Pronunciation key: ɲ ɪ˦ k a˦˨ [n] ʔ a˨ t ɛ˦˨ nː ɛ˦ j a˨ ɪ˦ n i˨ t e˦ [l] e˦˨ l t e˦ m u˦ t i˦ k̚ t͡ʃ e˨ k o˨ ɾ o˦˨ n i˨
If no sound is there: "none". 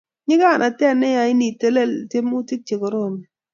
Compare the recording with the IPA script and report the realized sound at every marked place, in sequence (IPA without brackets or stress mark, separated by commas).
n, l